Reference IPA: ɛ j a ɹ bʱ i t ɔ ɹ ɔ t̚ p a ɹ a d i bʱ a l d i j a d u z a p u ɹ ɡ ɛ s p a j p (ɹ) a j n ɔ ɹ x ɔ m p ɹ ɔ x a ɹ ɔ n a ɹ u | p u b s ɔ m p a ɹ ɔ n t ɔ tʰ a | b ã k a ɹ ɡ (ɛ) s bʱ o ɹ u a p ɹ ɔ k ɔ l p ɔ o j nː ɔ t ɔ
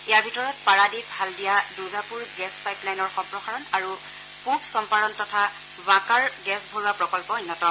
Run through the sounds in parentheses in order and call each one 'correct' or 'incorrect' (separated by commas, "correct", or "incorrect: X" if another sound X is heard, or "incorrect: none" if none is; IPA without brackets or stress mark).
incorrect: l, correct